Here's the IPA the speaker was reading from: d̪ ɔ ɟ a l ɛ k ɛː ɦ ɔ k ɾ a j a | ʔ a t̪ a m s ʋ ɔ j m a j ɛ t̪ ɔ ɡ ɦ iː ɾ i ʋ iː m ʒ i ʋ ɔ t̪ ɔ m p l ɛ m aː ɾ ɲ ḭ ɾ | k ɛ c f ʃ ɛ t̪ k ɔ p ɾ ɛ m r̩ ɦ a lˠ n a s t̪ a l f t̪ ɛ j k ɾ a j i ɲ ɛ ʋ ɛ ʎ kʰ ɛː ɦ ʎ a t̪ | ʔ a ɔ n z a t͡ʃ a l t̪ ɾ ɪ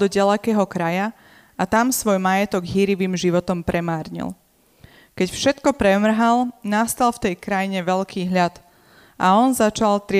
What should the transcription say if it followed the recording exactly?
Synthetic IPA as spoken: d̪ ɔ ɟ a l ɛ k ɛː ɦ ɔ k ɾ a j a | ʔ a t̪ a m s ʋ ɔ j m a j ɛ t̪ ɔ ɡ ɦ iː ɾ i ʋ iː m ʒ i ʋ ɔ t̪ ɔ m p ɾ ɛ m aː ɾ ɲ ḭ l | k ɛ c f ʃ ɛ t̪ k ɔ p ɾ ɛ m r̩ ɦ a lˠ n a s t̪ a l f t̪ ɛ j k ɾ a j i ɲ ɛ ʋ ɛ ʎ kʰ iː ɦ ʎ a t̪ | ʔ a ɔ n z a t͡ʃ a l t̪ ɾ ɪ